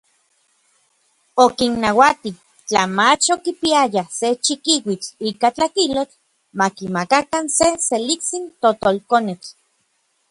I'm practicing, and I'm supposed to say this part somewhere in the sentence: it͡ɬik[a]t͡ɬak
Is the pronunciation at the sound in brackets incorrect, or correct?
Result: correct